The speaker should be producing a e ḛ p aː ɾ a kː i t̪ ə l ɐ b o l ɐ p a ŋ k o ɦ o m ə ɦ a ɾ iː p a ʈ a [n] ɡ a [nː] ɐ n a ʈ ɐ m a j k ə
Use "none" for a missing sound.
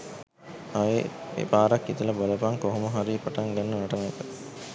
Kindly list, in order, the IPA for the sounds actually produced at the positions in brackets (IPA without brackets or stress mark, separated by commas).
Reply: ŋ, nː